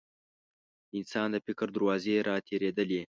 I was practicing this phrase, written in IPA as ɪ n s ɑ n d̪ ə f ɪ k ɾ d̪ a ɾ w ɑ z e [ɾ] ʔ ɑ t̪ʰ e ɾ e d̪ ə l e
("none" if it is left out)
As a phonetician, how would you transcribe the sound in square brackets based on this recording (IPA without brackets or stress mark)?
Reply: ɾ